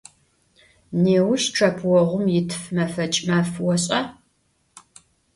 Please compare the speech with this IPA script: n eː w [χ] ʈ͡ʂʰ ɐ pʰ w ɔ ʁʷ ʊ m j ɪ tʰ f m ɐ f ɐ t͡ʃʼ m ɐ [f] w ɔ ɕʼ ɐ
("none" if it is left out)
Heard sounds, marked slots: ʃ, f

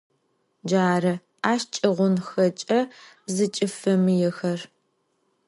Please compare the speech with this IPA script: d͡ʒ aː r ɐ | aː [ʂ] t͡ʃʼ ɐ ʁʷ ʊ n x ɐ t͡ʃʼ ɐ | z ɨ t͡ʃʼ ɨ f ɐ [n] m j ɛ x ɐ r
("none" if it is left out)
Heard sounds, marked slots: ʃ, none

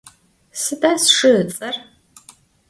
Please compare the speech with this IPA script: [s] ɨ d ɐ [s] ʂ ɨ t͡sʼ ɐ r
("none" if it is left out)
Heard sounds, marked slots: s, s

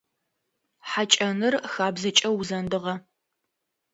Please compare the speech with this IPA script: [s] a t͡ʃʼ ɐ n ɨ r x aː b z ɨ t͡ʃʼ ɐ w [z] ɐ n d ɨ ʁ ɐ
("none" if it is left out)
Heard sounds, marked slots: ħ, z

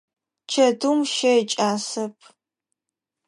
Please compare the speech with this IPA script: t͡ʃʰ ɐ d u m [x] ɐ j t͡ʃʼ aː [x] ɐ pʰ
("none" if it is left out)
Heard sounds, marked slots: ʃ, s

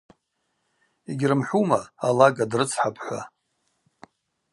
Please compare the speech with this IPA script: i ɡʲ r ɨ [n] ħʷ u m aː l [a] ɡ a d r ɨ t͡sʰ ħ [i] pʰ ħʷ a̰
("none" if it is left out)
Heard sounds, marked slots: m, a, a

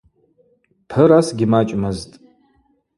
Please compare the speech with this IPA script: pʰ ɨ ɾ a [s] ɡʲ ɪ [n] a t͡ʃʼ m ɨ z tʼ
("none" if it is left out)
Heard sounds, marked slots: s, m

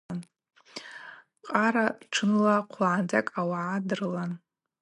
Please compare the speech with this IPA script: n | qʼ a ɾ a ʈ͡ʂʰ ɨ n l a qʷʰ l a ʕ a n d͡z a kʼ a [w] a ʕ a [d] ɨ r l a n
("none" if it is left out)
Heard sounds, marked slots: w, d

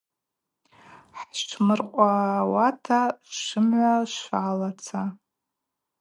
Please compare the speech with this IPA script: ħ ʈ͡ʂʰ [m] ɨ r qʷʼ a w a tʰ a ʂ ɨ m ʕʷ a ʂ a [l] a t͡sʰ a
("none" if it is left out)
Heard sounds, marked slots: m, l

